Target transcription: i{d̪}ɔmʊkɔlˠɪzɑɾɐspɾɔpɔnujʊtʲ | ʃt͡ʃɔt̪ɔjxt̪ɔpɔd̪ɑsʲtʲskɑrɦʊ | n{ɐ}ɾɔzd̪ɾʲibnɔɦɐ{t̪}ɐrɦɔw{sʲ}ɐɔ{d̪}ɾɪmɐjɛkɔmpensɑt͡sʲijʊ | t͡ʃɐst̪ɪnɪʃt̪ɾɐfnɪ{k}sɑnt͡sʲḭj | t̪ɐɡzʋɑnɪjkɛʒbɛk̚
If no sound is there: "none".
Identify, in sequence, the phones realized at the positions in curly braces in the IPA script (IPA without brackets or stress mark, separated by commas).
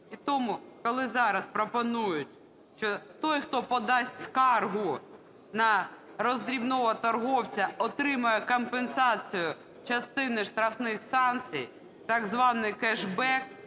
t̪, ɐ, t̪, t͡sʲ, t̪, x